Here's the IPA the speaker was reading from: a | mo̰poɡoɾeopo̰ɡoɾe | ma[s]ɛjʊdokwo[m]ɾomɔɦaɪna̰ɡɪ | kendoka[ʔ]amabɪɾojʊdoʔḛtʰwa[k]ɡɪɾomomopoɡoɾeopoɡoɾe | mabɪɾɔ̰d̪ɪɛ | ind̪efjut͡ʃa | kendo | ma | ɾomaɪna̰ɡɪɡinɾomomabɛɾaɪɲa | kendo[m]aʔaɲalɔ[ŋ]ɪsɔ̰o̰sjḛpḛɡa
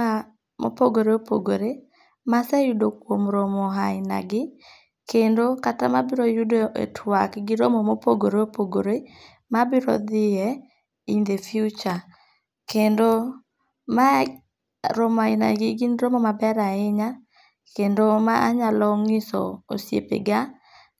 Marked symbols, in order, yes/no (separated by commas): yes, yes, no, yes, yes, yes